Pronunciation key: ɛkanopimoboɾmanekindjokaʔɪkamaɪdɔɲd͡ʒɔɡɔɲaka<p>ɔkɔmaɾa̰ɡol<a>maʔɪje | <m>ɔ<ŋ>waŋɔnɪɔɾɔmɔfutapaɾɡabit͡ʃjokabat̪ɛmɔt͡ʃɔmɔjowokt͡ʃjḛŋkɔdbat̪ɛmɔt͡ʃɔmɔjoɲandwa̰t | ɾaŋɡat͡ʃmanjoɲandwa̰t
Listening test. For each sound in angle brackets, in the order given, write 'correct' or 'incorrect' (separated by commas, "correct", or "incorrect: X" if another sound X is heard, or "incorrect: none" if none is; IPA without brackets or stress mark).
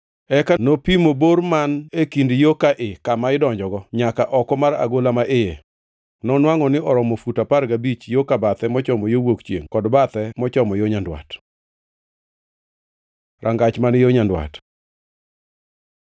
incorrect: ʔ, correct, incorrect: n, incorrect: n